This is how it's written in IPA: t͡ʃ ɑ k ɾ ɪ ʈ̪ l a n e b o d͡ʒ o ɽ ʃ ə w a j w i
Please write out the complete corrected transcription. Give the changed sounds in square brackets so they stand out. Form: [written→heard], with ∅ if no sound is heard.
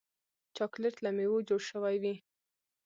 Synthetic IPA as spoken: t͡ʃ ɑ k [ɾ→l] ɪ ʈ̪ l a [n→m] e [b→w] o d͡ʒ o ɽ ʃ ə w a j w i